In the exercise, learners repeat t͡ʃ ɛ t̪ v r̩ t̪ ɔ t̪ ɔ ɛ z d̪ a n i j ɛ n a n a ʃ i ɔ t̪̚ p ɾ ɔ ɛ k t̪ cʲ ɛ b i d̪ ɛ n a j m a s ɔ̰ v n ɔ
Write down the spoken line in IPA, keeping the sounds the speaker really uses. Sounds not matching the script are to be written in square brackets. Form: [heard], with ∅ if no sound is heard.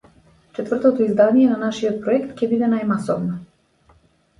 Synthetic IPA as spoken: t͡ʃ ɛ t̪ v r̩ t̪ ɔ t̪ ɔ [i] z d̪ a n i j ɛ n a n a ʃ i ɔ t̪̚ p ɾ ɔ ɛ k t̪ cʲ ɛ b i d̪ ɛ n a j m a s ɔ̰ v n ɔ